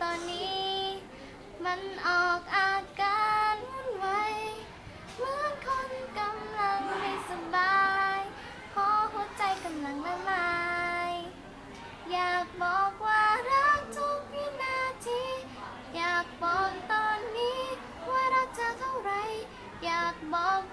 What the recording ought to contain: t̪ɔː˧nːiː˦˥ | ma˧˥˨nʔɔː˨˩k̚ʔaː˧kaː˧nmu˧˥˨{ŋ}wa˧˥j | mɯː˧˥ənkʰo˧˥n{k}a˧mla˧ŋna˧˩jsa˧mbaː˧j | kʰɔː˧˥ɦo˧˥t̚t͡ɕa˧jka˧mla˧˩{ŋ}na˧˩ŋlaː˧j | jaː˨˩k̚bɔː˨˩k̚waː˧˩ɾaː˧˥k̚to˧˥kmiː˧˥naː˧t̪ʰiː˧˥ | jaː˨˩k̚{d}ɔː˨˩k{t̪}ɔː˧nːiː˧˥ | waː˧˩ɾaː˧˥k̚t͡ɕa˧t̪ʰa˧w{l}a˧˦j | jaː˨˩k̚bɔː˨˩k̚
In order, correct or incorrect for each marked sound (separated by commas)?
incorrect, correct, correct, incorrect, correct, incorrect